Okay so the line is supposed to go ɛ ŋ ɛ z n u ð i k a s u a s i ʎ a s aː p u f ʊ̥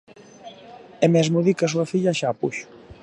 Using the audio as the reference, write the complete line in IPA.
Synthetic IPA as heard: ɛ m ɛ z m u ð i k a s u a f i ʎ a ʃ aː p u ʃ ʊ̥